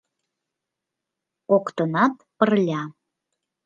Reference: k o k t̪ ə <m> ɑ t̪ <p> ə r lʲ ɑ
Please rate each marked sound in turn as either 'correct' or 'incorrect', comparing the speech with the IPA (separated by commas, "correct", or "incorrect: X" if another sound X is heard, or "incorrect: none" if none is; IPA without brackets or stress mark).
incorrect: n, correct